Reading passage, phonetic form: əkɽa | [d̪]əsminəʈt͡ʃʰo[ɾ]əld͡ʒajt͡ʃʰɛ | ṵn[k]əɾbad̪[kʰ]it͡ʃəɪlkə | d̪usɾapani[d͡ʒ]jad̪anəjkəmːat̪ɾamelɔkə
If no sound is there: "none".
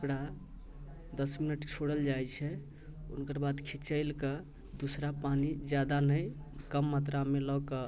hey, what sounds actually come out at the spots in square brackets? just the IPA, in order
d̪, ɽ, k, kʰ, d͡ʒ

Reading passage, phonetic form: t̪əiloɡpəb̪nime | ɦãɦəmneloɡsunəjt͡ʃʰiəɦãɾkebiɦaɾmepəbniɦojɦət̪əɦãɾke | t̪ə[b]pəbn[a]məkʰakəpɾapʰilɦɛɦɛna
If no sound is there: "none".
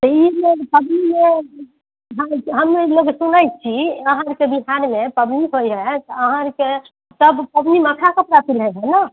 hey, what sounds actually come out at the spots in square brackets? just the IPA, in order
b, i

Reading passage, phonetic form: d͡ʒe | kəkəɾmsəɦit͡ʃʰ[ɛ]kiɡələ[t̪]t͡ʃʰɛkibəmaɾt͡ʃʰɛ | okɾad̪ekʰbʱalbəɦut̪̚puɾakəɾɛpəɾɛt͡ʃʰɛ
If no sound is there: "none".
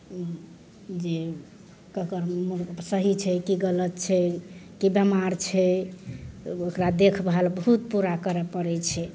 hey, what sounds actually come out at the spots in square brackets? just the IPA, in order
ɛ, t̪

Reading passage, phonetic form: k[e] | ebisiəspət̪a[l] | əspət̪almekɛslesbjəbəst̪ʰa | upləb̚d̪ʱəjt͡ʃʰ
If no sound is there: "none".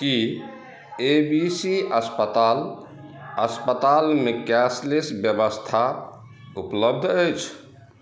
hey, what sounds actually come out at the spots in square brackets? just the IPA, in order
i, l

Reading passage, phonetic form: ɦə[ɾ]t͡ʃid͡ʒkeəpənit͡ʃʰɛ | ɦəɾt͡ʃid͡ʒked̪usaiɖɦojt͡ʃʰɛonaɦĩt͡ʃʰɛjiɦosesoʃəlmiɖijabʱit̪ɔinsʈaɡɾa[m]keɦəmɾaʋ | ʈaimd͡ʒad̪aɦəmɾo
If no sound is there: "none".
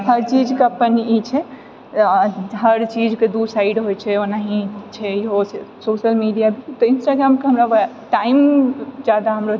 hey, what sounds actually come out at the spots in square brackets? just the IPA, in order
ɾ, m

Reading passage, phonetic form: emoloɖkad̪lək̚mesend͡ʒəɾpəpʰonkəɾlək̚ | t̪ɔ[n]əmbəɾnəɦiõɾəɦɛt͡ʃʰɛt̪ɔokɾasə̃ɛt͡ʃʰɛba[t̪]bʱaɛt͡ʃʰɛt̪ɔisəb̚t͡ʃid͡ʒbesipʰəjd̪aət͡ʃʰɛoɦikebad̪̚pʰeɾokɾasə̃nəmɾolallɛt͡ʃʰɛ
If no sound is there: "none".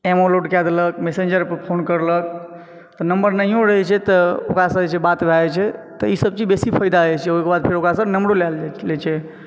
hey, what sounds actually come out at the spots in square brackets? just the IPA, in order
n, t̪

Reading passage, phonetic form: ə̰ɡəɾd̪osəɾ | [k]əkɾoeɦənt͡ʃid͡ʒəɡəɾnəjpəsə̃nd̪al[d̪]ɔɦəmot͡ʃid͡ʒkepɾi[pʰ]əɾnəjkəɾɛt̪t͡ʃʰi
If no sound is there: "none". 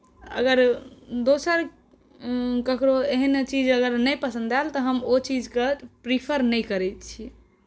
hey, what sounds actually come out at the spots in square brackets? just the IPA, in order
k, t̪, pʰ

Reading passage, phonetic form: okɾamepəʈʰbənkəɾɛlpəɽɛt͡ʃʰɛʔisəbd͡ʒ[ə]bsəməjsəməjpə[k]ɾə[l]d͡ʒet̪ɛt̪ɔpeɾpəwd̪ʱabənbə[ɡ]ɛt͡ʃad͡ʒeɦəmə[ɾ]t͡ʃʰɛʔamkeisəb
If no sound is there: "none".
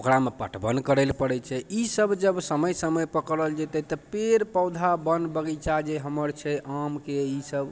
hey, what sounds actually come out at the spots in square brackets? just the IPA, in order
ə, k, l, ɡ, ɾ

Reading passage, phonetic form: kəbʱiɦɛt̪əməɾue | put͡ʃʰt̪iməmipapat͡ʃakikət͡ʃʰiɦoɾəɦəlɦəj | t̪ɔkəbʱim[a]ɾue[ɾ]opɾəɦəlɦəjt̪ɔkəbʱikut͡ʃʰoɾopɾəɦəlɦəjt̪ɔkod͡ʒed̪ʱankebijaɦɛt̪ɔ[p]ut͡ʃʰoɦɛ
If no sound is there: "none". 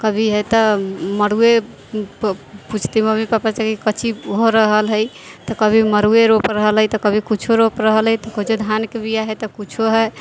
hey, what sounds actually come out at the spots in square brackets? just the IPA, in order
ə, ɾ, k

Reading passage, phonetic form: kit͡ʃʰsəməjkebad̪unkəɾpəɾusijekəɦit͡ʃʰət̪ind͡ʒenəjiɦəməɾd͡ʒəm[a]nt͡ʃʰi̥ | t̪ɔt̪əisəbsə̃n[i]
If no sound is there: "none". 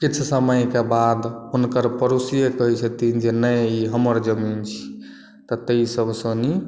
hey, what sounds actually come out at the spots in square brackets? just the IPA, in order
i, i

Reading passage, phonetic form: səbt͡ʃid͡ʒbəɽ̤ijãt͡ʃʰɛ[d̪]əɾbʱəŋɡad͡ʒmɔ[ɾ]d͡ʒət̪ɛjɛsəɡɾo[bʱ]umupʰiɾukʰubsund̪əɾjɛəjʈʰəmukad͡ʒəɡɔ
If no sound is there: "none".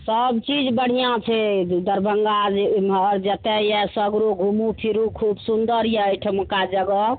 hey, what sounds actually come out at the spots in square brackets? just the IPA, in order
d̪, ɾ, ɡʱ

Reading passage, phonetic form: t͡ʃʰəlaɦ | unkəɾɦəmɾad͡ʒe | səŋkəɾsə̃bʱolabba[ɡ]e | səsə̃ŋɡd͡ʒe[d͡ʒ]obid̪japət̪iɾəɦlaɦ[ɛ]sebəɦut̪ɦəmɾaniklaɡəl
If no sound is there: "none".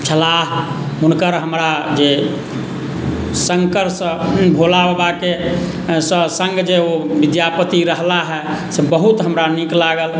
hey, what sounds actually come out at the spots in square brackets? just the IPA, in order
k, none, ɛ

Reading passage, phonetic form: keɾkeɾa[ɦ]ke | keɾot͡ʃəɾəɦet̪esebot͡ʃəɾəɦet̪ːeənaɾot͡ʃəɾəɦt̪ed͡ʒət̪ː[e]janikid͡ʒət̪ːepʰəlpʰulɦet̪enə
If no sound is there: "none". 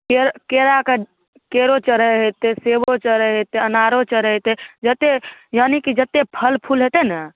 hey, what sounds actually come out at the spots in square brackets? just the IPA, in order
none, e

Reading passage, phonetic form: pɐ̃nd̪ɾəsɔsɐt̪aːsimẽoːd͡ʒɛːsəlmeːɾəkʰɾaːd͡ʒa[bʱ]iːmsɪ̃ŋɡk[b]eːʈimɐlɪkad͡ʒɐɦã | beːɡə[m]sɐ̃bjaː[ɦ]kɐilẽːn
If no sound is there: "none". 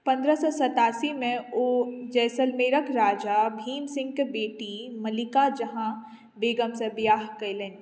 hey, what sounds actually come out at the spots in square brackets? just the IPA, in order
bʱ, b, m, ɦ

